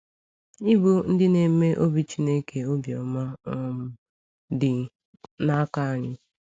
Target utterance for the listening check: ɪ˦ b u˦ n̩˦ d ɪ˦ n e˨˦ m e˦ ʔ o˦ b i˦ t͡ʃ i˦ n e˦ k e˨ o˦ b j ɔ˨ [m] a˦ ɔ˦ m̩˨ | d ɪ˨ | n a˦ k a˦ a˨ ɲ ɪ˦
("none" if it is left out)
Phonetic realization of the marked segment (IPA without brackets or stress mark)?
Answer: m